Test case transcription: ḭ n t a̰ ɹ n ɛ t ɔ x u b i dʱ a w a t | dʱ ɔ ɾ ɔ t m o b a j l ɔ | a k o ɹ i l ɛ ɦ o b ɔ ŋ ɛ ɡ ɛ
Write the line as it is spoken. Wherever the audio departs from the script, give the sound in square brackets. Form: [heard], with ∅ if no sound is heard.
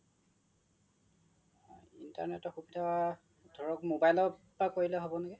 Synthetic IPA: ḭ n t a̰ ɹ n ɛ t ɔ x u b i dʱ a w a [∅] | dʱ ɔ [ɹ] ɔ [k] m o b a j l ɔ | a k o ɹ i l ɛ ɦ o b ɔ [n] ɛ ɡ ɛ